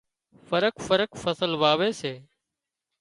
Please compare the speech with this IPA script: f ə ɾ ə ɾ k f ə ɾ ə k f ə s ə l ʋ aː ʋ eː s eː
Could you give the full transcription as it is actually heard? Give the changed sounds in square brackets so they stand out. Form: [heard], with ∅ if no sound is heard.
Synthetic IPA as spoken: f ə ɾ ə [∅] k f ə ɾ ə k f ə s ə l ʋ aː ʋ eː s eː